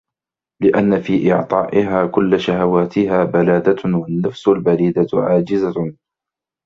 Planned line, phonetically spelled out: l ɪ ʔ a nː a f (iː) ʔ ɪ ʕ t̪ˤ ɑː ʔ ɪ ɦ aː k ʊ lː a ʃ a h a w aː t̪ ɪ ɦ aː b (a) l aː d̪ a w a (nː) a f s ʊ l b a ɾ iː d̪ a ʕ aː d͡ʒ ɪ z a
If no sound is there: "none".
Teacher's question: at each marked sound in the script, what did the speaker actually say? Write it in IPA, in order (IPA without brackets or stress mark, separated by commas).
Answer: iː, a, nː